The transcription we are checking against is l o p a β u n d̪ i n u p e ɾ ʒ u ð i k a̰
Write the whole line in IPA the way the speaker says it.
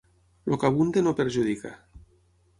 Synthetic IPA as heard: l o k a β u n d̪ e n o p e ɾ ʒ u ð i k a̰